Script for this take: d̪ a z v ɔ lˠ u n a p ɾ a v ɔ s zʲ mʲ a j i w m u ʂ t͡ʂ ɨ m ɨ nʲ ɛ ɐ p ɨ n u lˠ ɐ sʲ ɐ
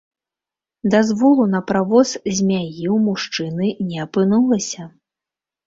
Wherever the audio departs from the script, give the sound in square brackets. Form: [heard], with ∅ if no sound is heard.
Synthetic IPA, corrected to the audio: d̪ a z v ɔ lˠ u n [ɐ] p ɾ a v ɔ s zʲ mʲ a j i w m u ʂ t͡ʂ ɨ [n] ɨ nʲ ɛ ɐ p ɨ n u lˠ ɐ sʲ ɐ